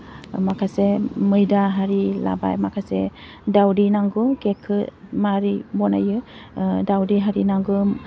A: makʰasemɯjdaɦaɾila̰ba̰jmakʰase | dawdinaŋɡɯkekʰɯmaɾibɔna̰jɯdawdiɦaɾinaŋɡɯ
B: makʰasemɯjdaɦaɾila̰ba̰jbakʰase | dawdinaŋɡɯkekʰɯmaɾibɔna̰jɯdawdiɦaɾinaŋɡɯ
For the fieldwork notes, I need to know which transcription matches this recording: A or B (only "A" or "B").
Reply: A